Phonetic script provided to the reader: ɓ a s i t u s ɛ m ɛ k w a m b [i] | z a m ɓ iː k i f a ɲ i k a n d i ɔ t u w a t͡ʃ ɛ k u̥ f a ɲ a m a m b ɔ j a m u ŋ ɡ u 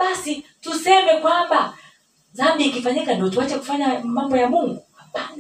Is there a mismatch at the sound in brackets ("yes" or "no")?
yes